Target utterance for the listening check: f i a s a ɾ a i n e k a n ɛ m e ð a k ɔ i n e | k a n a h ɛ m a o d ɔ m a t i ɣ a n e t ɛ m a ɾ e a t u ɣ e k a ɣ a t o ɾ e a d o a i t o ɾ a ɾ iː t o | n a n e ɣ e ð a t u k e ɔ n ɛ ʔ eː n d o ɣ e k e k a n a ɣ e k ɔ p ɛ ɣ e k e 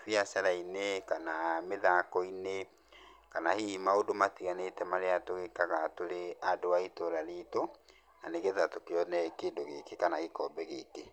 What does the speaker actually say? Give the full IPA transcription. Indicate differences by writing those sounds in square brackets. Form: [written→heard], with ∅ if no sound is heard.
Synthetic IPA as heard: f i a s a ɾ a i n e k a n [ɛ→a] m e ð a k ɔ i n e | k a n a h [ɛ→i] m a o d [ɔ→o] m a t i ɣ a n e t ɛ m a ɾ e a t [u→o] ɣ e k a ɣ a t o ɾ e a d o a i t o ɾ a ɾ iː t o | n a n e ɣ e ð a t [u→o] k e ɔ n ɛ [ʔ→k] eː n d o ɣ e k e k a n a ɣ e k ɔ [p→b] ɛ ɣ e k e

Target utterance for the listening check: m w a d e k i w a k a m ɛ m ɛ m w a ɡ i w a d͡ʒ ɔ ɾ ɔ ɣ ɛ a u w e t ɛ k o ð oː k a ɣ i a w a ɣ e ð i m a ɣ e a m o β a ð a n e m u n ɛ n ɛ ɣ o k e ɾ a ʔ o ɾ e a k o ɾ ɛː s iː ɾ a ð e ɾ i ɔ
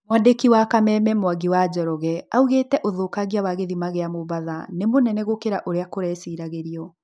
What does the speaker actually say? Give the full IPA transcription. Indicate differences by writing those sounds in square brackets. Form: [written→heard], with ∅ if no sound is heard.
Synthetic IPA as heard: m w a d e k i w a k a m ɛ m ɛ m w a ɡ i w a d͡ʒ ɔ ɾ ɔ ɣ ɛ a u [w→ɣ] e t ɛ [k→ʔ] o ð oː k a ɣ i a w a ɣ e ð i m a ɣ e a m o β a ð a n e m [u→o] n ɛ n ɛ ɣ o k e ɾ a ʔ o ɾ e a k o ɾ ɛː s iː ɾ a [ð→ɣ] e ɾ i ɔ

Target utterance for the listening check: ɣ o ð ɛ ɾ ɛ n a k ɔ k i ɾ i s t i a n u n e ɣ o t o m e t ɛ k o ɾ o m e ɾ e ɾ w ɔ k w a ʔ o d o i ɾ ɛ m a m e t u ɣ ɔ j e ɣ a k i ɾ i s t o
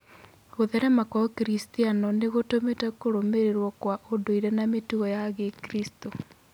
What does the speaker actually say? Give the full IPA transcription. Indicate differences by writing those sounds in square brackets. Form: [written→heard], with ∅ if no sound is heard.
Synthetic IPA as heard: ɣ o ð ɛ ɾ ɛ [n→m] a k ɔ k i ɾ i s t i a n [u→ɔ] n e ɣ o t o m e t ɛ k o ɾ o m e ɾ e ɾ w ɔ k w a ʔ o d o i ɾ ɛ [m→n] a m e t u ɣ ɔ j [e→a] ɣ [a→e] k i ɾ i s t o

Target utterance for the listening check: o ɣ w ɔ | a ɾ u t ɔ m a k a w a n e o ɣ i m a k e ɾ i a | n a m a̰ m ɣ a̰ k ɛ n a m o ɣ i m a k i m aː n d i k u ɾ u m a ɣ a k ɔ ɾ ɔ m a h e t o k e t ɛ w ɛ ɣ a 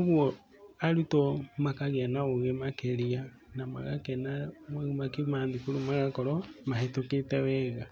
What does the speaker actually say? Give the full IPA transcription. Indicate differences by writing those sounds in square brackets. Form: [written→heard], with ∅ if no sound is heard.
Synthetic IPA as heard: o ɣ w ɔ | a ɾ u t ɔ m a k a [w→ɣ] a n [e→a] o ɣ [i→e] m a k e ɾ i a | n a m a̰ [m→∅] ɣ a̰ k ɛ n a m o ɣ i m a k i m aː n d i k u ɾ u m a ɣ a k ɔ ɾ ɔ m a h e t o k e t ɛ w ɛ ɣ a

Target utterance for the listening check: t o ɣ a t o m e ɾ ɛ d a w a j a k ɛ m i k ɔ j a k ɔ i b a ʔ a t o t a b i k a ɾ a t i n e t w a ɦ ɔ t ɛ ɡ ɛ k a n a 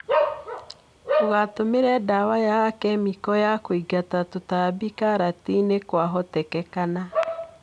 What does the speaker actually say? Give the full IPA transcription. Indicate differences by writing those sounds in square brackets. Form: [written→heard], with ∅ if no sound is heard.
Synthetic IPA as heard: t o ɣ a t o m e ɾ ɛ d a w a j a k ɛ m i k ɔ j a k [ɔ→o] i [b→ɡ] a [ʔ→t] a t o t a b i k a ɾ a t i n e [t→k] w a ɦ ɔ t ɛ [ɡ→k] ɛ k a n a

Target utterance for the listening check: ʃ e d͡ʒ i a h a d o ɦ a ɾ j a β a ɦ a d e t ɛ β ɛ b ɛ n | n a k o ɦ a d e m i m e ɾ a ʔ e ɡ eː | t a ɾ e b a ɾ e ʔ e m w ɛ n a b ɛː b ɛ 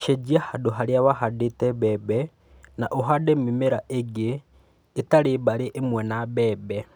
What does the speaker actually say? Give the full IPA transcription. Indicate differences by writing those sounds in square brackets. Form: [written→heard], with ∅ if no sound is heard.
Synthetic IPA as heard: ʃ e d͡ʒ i a h a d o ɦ a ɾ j a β a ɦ a d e t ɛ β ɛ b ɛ [n→∅] | n a [k→ʔ] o ɦ a d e m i m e ɾ a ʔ e ɡ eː | t a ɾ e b a ɾ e ʔ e m w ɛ n a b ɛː b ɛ

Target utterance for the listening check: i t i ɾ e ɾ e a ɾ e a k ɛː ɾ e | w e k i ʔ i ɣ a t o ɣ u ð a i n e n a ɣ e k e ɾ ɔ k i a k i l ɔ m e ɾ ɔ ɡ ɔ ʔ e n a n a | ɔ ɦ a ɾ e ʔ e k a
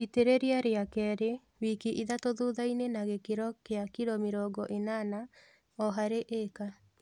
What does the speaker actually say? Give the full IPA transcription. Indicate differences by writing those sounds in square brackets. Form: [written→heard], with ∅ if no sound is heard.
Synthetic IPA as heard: i t [i→e] ɾ e ɾ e a ɾ e a k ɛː ɾ e | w [e→i] k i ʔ i [ɣ→ð] a t o [ɣ→ð] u ð a i n e n a ɣ e k e ɾ ɔ k [i→e] a k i [l→ɾ] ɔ m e ɾ ɔ ɡ ɔ ʔ e n a n a | ɔ ɦ a ɾ e ʔ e k a

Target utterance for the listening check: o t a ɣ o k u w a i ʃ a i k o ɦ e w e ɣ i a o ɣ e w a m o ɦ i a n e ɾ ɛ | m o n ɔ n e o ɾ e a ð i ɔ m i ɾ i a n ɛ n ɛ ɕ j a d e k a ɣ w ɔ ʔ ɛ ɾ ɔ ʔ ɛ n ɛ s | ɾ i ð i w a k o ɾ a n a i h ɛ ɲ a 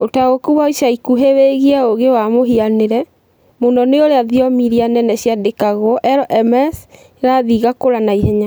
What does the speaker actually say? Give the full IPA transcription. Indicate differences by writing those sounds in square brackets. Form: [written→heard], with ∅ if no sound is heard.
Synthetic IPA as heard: o t a ɣ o k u w a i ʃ a i k [o→u] ɦ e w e ɣ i a o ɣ e w a m o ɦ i a n e ɾ ɛ | m o n ɔ n e o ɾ e a ð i ɔ m i ɾ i a n ɛ n ɛ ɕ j a d e k a ɣ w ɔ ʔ ɛ ɾ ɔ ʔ ɛ [n→m] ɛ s | ɾ [i→a] ð i [w→ɣ] a k o ɾ a n a i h ɛ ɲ a

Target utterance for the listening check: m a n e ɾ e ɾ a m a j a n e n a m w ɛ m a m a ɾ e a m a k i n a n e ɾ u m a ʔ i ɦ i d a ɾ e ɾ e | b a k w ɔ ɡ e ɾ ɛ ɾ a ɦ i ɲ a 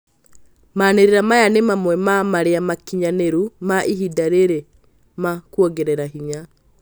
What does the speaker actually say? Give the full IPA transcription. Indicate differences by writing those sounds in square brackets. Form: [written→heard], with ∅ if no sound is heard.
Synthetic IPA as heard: m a n e ɾ e ɾ a m a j a n e [n→m] a m w ɛ m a m a ɾ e a m a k i [n→ɲ] a n e ɾ u m a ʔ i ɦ i d a ɾ e ɾ e | [b→m] a k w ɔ ɡ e ɾ ɛ ɾ a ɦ i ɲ a

